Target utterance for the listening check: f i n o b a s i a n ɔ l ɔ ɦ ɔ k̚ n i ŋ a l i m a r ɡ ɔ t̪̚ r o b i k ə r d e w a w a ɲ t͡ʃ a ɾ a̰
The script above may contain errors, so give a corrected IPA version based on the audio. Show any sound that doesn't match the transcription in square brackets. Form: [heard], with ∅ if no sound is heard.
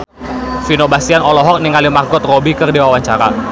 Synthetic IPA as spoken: f i n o b a s i a n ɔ l ɔ ɦ ɔ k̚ n i ŋ a l i m a r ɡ ɔ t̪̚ r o b i k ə r d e w a w a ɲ t͡ʃ a ɾ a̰